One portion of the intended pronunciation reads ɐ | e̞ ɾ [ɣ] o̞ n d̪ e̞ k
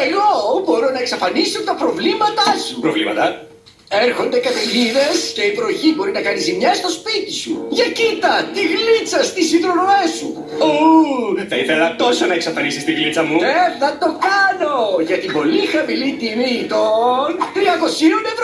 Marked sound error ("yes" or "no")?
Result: yes